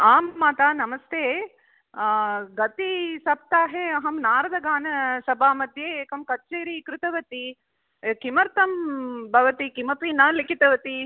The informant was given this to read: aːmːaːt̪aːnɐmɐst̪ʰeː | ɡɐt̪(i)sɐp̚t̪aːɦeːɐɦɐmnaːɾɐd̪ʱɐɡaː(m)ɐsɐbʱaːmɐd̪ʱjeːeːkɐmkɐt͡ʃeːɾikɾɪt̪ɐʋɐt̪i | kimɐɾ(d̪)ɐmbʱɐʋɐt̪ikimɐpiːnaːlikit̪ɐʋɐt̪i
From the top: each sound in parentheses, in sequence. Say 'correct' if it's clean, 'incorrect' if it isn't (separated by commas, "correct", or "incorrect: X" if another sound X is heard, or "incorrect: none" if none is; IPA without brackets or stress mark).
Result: correct, incorrect: n, incorrect: t̪